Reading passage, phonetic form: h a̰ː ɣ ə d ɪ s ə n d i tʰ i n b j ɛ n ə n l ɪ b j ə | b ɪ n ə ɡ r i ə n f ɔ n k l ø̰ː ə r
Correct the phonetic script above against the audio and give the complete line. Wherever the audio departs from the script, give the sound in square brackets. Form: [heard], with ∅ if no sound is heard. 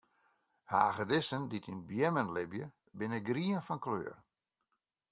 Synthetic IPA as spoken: h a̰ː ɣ ə d ɪ s ə n d i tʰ i n b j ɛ [m] ə n l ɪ b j ə | b ɪ n ə ɡ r i ə n f ɔ n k l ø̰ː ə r